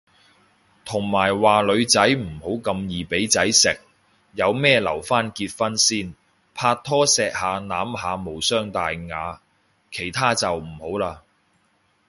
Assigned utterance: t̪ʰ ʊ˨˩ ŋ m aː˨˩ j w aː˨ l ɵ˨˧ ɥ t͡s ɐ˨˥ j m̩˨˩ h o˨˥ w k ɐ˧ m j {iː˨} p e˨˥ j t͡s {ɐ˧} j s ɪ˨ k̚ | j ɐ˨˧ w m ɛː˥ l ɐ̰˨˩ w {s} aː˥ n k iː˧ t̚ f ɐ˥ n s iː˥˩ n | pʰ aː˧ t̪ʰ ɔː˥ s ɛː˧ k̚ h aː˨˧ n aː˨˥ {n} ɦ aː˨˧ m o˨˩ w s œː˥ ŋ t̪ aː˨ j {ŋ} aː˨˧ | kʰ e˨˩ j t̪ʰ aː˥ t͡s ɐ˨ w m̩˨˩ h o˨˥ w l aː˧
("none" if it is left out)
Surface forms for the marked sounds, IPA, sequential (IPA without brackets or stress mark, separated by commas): iː˨, ɐ˨˥, f, m, ŋ